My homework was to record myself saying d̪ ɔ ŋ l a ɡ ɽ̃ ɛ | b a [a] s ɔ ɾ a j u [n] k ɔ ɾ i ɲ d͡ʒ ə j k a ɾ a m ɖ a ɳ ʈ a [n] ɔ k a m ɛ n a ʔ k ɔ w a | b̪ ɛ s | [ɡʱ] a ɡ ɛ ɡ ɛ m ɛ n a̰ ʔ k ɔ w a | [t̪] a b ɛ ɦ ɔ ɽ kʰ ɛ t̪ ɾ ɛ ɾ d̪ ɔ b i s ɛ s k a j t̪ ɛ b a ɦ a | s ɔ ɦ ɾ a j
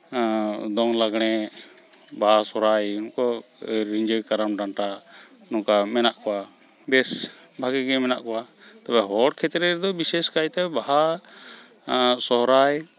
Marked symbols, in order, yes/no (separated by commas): yes, yes, yes, no, yes